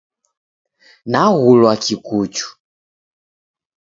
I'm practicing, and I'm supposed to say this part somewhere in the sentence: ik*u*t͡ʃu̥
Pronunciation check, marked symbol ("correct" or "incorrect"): correct